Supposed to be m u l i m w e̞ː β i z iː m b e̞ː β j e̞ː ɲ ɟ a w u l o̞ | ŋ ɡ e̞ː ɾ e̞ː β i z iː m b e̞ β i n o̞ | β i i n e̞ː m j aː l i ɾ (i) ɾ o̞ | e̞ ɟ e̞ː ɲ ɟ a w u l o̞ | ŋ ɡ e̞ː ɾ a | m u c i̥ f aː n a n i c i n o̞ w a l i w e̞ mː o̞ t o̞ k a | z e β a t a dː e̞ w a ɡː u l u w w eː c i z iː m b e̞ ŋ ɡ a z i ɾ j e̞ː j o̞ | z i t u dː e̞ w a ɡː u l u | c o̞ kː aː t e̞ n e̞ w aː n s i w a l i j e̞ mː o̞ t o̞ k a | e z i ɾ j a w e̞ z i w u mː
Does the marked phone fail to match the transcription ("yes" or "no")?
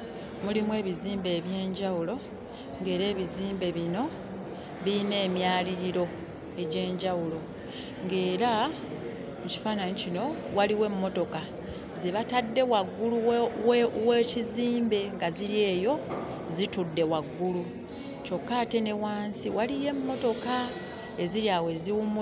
no